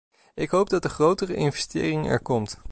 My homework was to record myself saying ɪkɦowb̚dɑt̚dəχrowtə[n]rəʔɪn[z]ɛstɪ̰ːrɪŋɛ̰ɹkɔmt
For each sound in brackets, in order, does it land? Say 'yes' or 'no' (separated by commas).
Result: no, no